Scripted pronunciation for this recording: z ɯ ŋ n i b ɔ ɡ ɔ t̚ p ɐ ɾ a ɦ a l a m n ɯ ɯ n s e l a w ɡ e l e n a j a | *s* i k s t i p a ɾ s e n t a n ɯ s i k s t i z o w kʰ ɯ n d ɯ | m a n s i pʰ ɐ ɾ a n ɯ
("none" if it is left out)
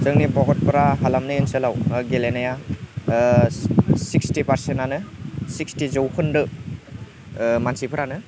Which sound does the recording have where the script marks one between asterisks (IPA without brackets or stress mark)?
s